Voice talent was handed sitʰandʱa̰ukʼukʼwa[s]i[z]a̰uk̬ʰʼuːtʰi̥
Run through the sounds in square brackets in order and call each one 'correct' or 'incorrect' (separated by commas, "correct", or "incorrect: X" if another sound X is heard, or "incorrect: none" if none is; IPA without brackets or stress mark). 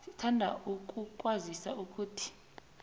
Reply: incorrect: z, incorrect: s